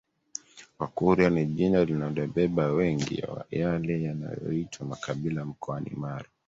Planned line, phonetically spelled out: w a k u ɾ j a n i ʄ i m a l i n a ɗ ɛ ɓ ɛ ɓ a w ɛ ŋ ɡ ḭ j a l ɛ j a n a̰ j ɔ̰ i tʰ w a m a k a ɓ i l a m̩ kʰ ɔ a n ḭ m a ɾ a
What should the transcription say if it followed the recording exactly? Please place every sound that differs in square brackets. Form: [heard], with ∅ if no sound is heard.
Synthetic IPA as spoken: w a k u ɾ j a n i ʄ i [n] a l i n a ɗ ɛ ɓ ɛ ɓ a w ɛ ŋ ɡ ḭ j a l ɛ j a n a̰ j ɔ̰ i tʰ w a m a k a ɓ i l a m̩ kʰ ɔ a n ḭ m a ɾ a